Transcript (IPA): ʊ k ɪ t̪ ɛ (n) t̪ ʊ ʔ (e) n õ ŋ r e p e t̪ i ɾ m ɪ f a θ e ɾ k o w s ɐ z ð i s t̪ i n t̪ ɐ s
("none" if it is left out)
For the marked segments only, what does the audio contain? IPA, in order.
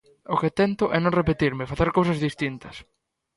n, ɛ

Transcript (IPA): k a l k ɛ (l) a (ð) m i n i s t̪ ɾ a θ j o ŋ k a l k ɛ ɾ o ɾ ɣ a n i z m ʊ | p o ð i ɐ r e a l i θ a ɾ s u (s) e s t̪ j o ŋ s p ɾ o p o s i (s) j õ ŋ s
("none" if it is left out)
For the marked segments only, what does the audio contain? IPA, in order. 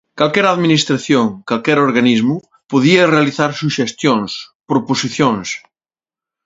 ɾ, ð, ʃ, θ

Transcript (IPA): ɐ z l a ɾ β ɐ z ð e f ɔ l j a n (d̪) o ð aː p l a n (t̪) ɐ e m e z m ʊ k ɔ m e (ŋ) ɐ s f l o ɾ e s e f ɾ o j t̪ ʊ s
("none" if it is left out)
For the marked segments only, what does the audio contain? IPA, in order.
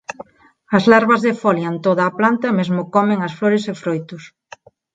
t̪, t̪, ŋ

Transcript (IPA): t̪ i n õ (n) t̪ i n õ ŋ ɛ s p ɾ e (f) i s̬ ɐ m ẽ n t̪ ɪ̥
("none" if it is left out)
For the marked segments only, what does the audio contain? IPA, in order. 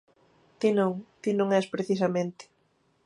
ŋ, θ

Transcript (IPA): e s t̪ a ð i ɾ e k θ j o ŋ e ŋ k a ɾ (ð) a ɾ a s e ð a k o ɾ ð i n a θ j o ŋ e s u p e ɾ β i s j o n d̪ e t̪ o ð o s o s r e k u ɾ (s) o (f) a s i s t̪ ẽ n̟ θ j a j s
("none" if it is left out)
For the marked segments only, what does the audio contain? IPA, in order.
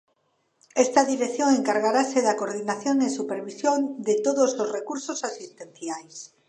ɣ, s, s

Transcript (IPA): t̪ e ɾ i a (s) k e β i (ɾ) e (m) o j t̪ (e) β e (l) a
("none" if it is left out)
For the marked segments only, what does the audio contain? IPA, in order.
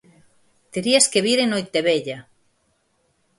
s, ɾ, n, e, ʎ

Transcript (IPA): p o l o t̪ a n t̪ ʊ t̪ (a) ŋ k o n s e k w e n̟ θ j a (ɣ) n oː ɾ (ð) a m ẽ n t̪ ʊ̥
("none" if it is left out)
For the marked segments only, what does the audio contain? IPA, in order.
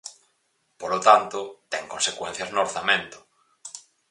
ɛ, z, θ

